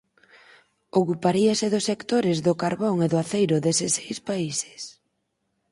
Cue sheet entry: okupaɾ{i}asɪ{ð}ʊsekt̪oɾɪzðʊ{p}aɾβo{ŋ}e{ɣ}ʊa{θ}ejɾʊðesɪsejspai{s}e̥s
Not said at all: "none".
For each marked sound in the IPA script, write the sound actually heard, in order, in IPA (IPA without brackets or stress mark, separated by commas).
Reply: i, ð, k, ŋ, ð, θ, s